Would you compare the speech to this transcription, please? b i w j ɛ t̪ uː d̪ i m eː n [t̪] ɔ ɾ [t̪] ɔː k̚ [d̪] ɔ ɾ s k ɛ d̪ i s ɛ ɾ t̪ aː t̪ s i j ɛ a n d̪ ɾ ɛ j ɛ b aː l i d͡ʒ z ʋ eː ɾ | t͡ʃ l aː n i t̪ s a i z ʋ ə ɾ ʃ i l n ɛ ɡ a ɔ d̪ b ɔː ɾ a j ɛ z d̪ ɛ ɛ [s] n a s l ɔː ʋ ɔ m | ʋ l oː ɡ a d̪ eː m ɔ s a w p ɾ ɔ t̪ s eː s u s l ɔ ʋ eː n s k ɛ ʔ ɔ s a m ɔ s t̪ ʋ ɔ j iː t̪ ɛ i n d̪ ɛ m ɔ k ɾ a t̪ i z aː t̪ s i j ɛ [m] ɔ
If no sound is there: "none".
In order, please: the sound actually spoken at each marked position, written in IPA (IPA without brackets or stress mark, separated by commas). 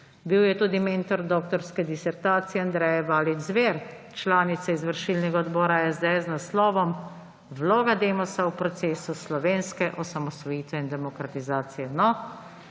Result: t̪, d̪, t̪, z, n